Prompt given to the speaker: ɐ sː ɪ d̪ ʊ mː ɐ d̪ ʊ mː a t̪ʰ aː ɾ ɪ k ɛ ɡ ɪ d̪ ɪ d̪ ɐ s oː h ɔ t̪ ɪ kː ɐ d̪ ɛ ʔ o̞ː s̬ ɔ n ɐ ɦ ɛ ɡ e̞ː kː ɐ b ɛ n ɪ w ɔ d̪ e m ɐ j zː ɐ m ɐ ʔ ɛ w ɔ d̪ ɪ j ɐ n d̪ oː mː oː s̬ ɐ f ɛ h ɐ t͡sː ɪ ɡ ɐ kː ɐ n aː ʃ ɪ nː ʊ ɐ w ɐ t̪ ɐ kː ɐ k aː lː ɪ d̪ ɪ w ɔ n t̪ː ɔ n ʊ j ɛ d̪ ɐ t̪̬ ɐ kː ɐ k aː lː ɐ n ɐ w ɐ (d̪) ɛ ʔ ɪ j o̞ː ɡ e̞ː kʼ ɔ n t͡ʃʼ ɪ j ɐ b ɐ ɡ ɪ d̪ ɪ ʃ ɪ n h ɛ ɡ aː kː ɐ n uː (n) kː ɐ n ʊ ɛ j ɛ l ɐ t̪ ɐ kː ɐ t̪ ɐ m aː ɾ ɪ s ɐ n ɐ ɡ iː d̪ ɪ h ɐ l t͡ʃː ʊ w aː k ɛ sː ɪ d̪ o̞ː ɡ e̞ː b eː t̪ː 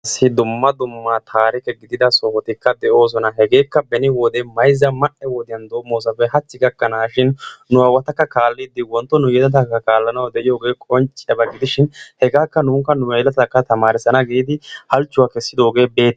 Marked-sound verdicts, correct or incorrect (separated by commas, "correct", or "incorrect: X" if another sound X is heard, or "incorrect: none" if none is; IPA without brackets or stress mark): correct, incorrect: ŋ